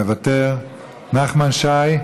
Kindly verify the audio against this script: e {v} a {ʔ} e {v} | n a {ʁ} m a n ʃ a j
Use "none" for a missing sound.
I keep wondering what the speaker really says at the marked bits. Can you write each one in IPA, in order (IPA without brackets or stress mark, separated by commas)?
v, t, ʁ, χ